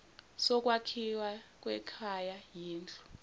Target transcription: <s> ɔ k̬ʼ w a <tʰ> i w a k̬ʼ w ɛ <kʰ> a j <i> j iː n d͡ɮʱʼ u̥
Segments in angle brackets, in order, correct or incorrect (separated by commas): correct, incorrect, correct, incorrect